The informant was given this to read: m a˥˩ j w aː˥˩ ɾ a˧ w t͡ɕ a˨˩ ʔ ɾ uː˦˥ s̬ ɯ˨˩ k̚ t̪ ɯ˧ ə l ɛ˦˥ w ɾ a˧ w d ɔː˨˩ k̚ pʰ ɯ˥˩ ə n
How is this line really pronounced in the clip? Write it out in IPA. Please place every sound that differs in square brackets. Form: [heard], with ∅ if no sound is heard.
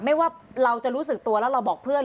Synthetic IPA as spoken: m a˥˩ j w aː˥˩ ɾ a˧ w t͡ɕ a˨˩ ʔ ɾ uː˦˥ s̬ ɯ˨˩ k̚ t̪ [u˧] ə l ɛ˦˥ w ɾ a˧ w [b] ɔː˨˩ k̚ pʰ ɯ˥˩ ə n